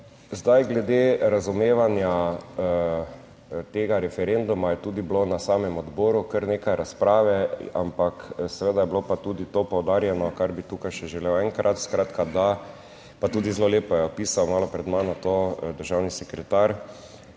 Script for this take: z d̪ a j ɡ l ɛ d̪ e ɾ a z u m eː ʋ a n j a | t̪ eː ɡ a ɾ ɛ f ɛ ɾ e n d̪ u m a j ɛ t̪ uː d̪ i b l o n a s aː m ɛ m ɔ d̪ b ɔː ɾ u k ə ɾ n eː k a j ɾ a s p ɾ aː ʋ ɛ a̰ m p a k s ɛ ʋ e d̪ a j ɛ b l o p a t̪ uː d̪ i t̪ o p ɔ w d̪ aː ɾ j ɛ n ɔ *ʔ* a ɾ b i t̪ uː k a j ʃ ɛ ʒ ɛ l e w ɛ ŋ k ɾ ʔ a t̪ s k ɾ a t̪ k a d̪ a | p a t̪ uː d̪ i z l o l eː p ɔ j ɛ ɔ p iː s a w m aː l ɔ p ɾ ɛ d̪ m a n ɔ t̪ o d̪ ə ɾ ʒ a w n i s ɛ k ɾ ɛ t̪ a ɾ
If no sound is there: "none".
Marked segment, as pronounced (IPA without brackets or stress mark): k